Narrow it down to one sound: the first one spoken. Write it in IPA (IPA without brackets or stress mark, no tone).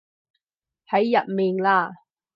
h